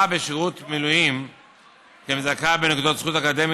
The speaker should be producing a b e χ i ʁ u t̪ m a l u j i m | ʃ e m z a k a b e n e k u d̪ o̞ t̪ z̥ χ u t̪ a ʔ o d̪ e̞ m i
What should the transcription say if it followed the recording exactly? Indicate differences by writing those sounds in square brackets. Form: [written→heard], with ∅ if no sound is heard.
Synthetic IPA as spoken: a b e [χ→ʃ] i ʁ u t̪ m [a→i] l u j i m | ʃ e m z a k a b e n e k u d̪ o̞ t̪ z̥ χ u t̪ a [ʔ→k] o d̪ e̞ m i

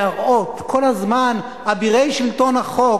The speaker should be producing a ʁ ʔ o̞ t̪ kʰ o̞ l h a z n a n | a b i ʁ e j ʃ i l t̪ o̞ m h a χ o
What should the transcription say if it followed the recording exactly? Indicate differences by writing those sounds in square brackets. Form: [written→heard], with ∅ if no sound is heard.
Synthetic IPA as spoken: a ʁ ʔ o̞ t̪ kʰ o̞ l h a z [n→m] a n | a b i ʁ e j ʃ i l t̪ o̞ [m→n] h a χ o

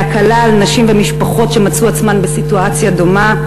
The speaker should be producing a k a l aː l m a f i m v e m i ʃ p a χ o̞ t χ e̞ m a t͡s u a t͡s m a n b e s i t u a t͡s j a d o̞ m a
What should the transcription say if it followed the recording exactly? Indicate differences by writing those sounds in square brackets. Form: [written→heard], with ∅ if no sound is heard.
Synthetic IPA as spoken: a k a l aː l [m→n] a [f→ʃ] i m v e m i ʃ p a χ o̞ t [χ→ʃ] e̞ m a t͡s u a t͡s m a n b e s i t u a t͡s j a d o̞ m a

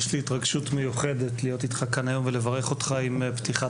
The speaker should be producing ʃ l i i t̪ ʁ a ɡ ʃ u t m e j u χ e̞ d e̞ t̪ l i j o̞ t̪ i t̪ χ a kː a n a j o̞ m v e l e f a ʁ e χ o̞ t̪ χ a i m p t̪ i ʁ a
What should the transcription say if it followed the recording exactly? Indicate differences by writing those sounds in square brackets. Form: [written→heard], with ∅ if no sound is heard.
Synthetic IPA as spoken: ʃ l i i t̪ ʁ a ɡ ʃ u t m e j u χ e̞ d e̞ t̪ l i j o̞ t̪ i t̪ χ a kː a n a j o̞ m v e l e [f→v] a ʁ e χ o̞ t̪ χ a i m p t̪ i [ʁ→χ] a

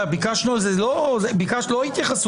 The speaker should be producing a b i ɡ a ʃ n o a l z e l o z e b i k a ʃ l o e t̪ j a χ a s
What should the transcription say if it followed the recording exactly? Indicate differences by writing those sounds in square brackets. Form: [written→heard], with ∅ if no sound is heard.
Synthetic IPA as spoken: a b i [ɡ→k] a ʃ n [o→u] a l z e l o z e b i k a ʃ l o [e→i] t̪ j a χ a s

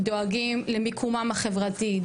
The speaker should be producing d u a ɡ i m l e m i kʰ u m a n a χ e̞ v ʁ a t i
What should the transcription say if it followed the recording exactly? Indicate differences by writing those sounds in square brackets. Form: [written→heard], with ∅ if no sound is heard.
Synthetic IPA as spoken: d [u→o] a ɡ i m l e m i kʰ u m a [n→m] a χ e̞ v ʁ a t i

